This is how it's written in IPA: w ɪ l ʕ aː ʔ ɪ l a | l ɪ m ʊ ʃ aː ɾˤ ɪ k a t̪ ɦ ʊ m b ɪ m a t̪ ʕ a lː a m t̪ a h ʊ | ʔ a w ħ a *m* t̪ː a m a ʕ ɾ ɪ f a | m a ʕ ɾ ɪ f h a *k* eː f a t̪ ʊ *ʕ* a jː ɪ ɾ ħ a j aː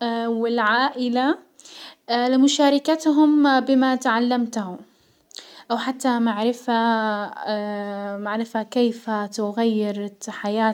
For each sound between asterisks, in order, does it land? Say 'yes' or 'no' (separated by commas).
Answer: no, yes, no